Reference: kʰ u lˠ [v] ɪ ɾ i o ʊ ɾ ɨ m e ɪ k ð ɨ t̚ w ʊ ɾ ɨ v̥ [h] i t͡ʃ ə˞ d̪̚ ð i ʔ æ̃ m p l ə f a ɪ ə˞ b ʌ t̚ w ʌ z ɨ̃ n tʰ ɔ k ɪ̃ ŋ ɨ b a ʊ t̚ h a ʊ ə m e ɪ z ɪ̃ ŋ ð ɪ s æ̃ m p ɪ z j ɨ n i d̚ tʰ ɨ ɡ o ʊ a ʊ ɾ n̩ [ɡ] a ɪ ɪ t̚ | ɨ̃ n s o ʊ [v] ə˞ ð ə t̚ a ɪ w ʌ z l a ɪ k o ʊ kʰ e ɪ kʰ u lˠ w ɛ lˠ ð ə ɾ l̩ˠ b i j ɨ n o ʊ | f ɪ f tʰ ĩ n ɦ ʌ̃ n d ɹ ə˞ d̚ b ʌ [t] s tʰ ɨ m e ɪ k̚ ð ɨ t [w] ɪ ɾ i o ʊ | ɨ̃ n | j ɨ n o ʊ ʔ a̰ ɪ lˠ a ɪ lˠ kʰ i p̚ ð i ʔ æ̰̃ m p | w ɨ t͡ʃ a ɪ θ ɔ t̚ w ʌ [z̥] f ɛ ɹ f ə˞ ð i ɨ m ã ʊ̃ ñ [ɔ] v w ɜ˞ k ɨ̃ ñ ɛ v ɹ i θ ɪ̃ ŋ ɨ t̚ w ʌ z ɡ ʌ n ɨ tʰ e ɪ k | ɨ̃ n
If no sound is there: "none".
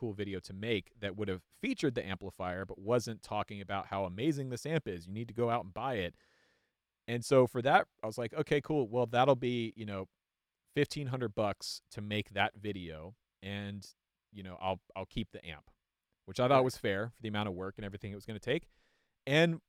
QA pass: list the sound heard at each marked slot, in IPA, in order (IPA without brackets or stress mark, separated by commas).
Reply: v, f, b, f, k, v, z̥, ʌ